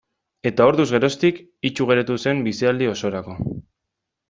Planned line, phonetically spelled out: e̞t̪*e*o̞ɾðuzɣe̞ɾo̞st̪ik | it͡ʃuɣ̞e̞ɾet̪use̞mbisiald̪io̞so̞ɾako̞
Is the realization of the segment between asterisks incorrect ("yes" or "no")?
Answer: yes